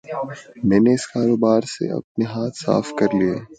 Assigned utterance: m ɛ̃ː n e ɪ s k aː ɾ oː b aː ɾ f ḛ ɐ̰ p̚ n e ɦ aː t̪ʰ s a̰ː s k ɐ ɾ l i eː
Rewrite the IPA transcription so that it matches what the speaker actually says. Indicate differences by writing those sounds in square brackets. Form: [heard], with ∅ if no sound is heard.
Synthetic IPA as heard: m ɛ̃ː n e ɪ s k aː ɾ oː b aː ɾ [s] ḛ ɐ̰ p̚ n e ɦ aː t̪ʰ s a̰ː [f] k ɐ ɾ l i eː